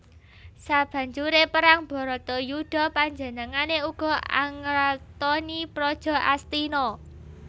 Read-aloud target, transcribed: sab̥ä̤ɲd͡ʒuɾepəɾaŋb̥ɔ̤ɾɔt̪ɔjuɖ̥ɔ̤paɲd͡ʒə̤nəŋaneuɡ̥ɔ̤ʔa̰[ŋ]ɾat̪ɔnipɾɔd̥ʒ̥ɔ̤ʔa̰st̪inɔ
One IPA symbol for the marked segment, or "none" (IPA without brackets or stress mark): ŋ